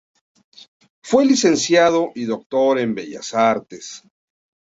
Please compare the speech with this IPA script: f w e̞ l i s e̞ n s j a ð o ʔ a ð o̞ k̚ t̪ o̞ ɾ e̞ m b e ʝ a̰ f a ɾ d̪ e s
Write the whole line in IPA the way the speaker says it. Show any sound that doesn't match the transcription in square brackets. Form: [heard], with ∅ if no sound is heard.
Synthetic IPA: f w e̞ l i s e̞ n s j a ð o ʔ [i] ð o̞ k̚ t̪ o̞ ɾ e̞ m b e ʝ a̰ [s] a ɾ [t̪] e s